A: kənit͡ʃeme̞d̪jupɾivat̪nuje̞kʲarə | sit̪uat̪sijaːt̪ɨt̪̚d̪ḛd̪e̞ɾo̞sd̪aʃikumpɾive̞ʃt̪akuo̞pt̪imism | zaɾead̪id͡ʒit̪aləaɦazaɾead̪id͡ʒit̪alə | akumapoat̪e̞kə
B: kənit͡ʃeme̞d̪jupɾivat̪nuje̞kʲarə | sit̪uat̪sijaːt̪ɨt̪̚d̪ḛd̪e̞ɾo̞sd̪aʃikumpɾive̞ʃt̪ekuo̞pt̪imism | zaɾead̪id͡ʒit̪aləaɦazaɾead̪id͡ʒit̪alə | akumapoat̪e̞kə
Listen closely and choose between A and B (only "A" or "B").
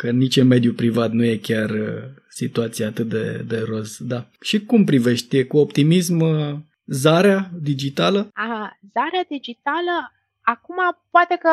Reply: B